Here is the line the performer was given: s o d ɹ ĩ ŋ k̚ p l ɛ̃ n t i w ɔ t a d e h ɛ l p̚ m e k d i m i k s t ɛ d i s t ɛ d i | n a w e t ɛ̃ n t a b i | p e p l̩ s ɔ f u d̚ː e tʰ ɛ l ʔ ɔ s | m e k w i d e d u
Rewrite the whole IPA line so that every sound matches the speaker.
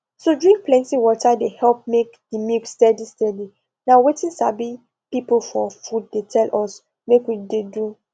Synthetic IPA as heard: s o d ɹ ĩ ŋ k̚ p l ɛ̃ n t i w ɔ t a d e h ɛ l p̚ m e k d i m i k s t ɛ d i s t ɛ d i | n a w e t ĩ n s a b i | p i p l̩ f ɔ f u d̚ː e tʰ ɛ l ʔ ɔ s | m e k w i d e d u